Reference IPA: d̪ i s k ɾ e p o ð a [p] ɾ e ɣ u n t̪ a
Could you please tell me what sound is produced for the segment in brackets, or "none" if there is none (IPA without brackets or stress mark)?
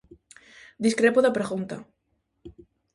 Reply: p